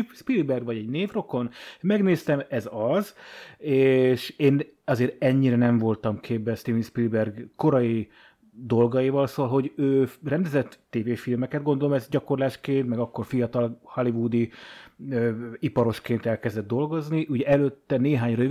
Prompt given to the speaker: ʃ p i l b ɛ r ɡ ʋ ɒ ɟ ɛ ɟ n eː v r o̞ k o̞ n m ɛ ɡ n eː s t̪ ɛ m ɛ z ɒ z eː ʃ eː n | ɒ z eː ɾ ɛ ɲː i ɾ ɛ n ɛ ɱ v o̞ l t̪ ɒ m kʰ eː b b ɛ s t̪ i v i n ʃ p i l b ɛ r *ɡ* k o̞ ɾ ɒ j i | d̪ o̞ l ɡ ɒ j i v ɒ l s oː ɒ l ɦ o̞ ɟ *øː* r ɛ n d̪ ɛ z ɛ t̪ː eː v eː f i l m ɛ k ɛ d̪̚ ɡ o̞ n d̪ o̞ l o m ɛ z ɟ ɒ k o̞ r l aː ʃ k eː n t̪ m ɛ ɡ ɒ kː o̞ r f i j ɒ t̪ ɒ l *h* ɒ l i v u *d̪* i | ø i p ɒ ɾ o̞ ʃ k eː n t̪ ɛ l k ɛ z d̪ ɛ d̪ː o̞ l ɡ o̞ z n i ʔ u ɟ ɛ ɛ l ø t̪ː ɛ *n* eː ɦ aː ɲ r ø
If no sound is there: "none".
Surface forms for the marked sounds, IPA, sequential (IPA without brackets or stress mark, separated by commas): ɡ, øː, h, d̪, n